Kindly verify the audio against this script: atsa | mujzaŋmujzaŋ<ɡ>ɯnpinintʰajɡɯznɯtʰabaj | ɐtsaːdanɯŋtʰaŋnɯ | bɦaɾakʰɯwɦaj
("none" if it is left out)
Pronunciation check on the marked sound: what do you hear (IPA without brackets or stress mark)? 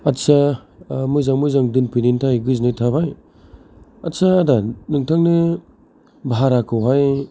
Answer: d